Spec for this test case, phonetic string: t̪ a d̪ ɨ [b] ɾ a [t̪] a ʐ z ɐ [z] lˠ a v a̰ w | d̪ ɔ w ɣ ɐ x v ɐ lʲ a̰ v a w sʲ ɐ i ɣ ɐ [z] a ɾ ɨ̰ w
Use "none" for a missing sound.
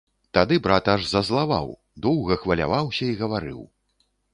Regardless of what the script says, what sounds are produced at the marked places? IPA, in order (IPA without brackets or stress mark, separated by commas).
b, t̪, z, v